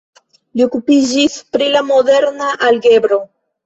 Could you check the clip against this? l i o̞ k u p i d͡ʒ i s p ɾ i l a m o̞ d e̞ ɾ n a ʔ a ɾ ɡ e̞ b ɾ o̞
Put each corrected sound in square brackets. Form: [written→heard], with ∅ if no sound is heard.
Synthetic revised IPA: l i o̞ k u p i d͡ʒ i s p ɾ i l a m o̞ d e̞ ɾ n a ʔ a [ɾ→l] ɡ e̞ b ɾ o̞